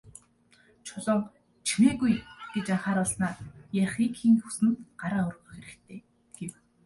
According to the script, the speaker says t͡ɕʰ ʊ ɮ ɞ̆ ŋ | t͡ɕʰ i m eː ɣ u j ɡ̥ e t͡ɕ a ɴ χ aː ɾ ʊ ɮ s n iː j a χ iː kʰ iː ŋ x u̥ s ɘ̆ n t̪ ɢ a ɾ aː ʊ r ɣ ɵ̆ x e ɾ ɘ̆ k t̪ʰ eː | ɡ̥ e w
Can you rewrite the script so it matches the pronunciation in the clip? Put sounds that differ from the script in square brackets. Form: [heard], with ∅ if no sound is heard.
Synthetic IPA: t͡ɕʰ ʊ ɮ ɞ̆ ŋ | t͡ɕʰ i m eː ɣ u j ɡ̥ e t͡ɕ a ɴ χ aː ɾ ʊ ɮ s n [aː] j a χ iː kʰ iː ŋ x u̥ s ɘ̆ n t̪ ɢ a ɾ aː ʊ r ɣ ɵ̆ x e ɾ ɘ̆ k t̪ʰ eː | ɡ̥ e w